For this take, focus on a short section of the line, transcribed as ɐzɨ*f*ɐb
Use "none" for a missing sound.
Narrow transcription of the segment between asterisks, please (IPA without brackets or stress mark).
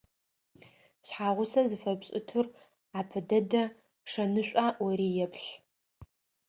f